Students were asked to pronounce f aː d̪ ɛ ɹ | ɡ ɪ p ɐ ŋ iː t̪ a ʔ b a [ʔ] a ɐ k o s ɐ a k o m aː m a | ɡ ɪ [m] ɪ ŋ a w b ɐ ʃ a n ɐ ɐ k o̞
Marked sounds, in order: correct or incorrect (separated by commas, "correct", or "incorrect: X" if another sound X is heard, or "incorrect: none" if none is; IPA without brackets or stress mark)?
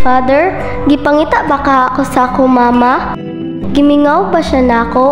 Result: incorrect: k, correct